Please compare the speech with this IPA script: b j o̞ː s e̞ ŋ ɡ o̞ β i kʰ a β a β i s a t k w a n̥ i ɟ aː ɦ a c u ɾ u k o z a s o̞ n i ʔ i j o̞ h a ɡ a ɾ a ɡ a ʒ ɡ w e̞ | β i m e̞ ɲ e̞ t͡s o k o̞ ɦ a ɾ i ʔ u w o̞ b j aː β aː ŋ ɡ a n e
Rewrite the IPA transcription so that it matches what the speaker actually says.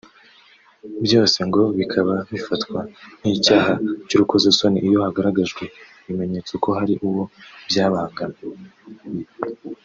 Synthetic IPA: b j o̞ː s e̞ ŋ ɡ o̞ β i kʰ a β a β i f a t k w a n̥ i c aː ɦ a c u ɾ u k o z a s o̞ n i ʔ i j o̞ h a ɡ a ɾ a ɡ a ʒ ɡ w e̞ | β i m e̞ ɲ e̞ t͡s o k o̞ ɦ a ɾ i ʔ u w o̞ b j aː β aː ŋ ɡ a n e